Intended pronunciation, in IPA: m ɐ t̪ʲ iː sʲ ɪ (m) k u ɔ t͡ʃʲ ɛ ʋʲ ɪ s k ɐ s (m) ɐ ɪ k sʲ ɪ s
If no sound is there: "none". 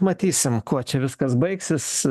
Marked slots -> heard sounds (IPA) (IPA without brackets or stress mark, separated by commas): m, b